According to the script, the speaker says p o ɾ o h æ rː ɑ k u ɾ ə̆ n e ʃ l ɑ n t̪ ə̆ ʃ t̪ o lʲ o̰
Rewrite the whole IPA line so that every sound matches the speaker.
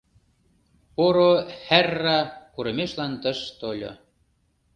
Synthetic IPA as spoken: p o ɾ o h æ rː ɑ k u ɾ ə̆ m e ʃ l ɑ n t̪ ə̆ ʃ t̪ o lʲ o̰